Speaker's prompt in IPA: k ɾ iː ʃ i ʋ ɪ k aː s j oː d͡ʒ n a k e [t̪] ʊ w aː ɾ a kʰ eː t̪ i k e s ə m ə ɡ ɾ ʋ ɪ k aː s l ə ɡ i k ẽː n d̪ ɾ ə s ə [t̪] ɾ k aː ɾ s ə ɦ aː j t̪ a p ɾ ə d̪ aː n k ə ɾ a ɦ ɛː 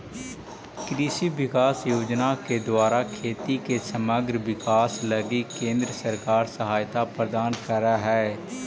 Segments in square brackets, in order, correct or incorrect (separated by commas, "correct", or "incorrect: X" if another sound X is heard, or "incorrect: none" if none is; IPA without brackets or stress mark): incorrect: d̪, incorrect: none